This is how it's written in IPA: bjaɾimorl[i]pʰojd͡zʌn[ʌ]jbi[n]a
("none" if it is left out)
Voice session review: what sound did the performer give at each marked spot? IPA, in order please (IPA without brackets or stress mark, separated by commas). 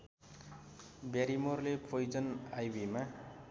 e, a, m